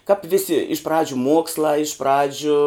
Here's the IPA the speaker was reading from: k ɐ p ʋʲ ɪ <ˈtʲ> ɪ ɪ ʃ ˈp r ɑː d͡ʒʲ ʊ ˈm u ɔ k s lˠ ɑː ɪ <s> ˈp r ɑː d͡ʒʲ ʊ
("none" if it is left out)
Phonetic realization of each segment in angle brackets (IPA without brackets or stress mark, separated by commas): sʲ, ʃ